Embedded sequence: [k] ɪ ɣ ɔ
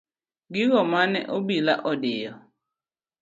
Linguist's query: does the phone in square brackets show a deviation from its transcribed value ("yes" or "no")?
yes